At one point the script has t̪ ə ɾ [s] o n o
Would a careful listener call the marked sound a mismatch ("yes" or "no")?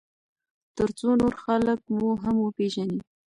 yes